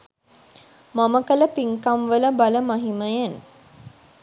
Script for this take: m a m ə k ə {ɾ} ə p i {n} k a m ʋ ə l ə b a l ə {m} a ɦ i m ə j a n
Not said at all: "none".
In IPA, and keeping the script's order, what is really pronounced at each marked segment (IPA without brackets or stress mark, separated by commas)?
l, ŋ, m